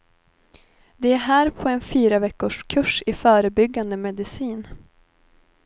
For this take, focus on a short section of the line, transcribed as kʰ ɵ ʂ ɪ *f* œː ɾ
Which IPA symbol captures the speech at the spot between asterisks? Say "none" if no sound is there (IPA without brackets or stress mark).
f